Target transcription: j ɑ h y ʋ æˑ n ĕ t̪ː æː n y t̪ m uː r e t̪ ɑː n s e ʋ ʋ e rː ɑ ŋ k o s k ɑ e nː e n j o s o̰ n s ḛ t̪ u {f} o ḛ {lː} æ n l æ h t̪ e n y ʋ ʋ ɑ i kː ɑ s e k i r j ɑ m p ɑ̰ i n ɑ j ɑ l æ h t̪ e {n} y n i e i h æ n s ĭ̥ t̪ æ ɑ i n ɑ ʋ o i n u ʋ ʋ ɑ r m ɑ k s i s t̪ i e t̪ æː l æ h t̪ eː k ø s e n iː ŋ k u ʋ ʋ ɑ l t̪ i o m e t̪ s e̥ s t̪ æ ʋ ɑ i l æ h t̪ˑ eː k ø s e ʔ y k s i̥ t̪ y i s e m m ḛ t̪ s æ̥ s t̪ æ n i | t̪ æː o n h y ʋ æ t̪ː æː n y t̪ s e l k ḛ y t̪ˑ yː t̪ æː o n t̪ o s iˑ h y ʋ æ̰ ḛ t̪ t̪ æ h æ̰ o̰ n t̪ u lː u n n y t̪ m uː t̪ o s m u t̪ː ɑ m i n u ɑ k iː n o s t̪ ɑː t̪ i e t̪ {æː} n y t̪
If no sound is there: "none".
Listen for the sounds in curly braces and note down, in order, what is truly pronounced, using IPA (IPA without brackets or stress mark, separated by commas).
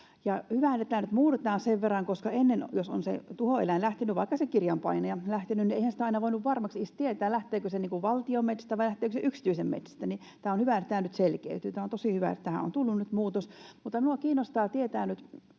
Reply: h, l, n, æː